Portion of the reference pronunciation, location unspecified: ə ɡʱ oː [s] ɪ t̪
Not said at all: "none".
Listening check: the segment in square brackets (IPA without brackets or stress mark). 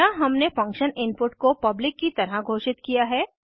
ʃ